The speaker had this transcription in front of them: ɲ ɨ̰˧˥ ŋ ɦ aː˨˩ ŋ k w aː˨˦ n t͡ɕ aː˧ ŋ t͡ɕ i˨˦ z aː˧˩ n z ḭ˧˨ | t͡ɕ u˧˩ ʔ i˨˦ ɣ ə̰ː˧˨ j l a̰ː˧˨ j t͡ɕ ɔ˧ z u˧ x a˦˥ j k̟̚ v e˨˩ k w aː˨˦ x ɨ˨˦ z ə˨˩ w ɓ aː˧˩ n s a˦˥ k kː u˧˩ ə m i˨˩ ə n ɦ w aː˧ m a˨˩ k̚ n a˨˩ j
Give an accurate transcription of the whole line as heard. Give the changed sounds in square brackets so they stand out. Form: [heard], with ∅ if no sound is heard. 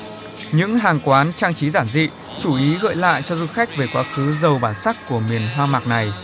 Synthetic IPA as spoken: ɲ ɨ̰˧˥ ŋ ɦ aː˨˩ ŋ k w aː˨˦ n t͡ɕ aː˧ ŋ t͡ɕ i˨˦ z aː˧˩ n z ḭ˧˨ | t͡ɕ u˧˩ ʔ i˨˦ ɣ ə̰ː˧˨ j l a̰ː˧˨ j t͡ɕ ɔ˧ z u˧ x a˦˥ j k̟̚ v e˨˩ k w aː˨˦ x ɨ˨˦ z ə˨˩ w ɓ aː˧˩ n s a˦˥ k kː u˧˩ ə m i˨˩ ə n ɦ w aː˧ m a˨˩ k̚ n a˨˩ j